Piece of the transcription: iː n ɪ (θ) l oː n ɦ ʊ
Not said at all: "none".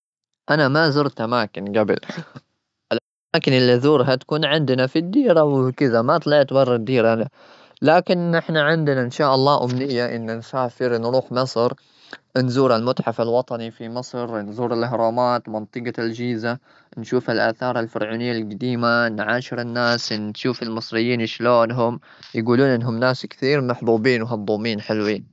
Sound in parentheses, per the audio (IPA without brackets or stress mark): ʃ